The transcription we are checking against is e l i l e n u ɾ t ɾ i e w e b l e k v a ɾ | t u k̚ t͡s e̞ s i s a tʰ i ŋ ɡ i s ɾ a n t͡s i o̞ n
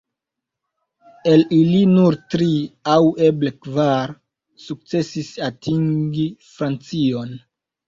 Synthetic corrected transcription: e l i l i n u ɾ t ɾ i a w e b l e k v a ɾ | s u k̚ t͡s e̞ s i s a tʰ i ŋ ɡ i f ɾ a n t͡s i o̞ n